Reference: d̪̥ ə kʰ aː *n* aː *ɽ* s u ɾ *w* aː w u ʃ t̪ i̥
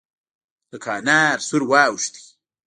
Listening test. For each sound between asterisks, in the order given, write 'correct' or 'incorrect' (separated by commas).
correct, incorrect, correct